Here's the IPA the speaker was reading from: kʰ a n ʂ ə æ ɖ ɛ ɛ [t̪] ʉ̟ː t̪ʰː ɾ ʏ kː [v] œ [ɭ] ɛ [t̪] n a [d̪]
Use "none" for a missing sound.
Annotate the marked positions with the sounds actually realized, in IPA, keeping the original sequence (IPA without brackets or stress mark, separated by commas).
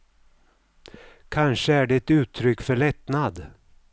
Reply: t̪, f, ɭ, t̪, d̪